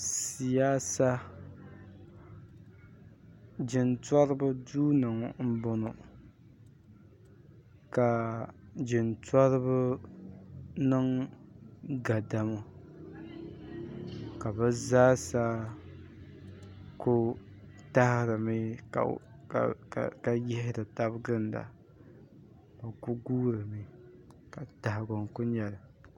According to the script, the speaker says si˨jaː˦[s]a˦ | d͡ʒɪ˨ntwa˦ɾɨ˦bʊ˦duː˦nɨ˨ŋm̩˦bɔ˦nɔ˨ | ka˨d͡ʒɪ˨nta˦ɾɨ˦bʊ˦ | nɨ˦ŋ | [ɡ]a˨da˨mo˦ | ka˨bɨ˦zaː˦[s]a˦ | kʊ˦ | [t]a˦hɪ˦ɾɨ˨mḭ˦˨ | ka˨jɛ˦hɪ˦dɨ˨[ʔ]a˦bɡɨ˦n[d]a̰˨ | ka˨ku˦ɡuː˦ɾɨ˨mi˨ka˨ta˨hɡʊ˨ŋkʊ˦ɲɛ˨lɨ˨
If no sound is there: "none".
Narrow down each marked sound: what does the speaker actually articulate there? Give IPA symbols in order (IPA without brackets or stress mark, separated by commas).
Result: s, ɡ, s, t, t, d